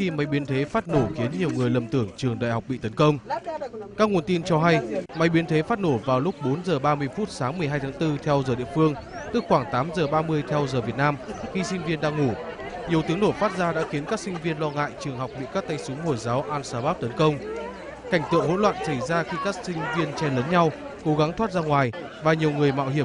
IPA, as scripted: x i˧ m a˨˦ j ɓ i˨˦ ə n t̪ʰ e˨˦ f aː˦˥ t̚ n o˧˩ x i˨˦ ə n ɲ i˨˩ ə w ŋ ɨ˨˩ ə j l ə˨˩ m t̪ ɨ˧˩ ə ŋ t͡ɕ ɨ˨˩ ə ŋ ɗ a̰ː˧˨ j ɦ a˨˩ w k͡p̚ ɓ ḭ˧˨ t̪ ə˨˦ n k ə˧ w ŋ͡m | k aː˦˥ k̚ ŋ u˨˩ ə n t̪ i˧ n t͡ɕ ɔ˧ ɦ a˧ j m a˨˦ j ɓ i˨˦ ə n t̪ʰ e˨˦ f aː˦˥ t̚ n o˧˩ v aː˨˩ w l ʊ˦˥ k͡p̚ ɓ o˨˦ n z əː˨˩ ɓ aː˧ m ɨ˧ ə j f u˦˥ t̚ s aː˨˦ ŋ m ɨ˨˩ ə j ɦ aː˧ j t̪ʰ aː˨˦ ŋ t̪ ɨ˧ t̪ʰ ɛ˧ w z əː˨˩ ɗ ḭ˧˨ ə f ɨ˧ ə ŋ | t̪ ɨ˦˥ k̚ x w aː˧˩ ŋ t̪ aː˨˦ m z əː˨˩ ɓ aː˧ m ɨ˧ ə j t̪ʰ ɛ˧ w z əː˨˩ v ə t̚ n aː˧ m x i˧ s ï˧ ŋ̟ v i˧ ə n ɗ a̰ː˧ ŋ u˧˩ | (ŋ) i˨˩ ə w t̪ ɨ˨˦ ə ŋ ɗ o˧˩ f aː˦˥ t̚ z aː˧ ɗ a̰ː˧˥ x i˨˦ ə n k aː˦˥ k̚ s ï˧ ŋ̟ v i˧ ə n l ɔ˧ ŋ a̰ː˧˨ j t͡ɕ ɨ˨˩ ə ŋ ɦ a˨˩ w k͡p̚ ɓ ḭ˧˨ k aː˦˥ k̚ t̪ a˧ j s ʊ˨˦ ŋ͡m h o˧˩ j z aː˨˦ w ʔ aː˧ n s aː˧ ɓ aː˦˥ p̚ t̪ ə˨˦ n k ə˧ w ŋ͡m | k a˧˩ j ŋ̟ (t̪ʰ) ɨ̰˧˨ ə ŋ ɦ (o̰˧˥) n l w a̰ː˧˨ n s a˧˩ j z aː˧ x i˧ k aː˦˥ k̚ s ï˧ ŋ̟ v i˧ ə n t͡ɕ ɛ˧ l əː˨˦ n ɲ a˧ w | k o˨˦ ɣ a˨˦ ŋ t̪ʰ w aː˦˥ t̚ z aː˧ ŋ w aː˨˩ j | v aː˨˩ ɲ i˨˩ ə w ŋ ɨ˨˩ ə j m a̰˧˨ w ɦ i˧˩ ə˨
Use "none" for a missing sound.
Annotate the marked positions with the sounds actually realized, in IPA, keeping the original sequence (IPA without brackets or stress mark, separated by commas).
ɲ, t̪, o̰˧˥